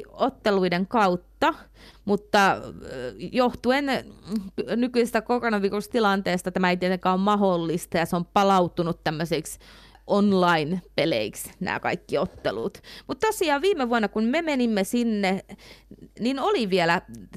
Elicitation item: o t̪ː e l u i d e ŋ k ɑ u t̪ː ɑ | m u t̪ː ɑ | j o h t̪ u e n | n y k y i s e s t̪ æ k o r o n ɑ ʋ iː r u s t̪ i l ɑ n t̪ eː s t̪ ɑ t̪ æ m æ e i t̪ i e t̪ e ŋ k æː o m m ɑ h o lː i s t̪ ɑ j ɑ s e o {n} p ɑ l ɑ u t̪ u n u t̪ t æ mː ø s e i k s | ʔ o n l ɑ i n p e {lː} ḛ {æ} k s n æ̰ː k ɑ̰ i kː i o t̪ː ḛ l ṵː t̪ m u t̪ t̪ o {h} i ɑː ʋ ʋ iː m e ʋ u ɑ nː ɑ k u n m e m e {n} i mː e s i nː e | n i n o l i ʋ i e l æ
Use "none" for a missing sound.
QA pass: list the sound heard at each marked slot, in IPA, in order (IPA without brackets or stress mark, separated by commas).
m, l, i, s, n